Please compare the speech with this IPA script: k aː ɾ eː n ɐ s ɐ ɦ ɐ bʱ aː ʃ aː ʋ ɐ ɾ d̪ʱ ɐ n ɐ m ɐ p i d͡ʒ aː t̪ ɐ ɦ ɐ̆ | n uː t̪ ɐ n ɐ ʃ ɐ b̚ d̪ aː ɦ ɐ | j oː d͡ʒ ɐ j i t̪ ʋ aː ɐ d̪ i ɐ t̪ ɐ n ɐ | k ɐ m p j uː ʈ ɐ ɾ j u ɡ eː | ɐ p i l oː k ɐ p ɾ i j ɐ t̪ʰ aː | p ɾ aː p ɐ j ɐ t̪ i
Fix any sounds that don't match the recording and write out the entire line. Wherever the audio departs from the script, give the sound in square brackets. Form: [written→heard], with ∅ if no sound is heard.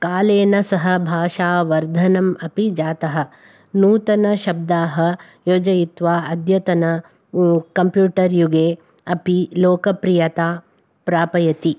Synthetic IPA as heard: k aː [ɾ→l] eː n ɐ s ɐ ɦ ɐ bʱ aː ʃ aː ʋ ɐ ɾ d̪ʱ ɐ n ɐ m ɐ p i d͡ʒ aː t̪ ɐ ɦ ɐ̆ | n uː t̪ ɐ n ɐ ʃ ɐ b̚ d̪ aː ɦ ɐ | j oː d͡ʒ ɐ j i t̪ ʋ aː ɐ d̪ [i→j] ɐ t̪ ɐ n ɐ | k ɐ m p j uː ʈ ɐ ɾ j u ɡ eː | ɐ p i l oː k ɐ p ɾ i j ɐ [t̪ʰ→t̪] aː | p ɾ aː p ɐ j ɐ t̪ i